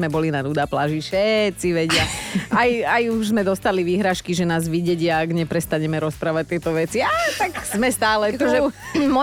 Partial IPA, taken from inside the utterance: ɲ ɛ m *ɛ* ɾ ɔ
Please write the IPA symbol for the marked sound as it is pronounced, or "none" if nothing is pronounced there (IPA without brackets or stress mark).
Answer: ɛ